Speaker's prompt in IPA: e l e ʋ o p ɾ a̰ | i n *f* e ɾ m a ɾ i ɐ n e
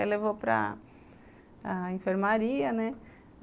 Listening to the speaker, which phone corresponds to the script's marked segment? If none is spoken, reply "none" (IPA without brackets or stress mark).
f